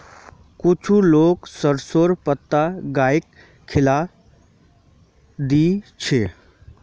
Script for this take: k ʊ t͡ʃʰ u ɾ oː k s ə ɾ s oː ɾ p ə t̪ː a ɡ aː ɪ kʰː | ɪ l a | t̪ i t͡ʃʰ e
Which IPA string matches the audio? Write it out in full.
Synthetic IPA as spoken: k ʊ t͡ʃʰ u l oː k s ə ɾ s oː ɾ p ə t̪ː a ɡ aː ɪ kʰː | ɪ l a | d̪ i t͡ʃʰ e